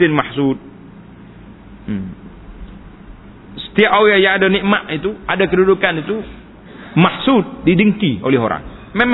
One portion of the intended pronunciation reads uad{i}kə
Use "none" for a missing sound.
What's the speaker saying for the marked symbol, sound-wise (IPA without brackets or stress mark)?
a